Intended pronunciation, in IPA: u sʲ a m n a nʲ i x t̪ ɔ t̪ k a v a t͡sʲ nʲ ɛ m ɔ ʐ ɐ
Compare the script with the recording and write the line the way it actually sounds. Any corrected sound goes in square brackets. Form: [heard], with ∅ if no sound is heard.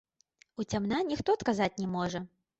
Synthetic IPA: u [t͡sʲ] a m n a nʲ i x t̪ ɔ t̪ k a [z] a t͡sʲ nʲ ɛ m ɔ ʐ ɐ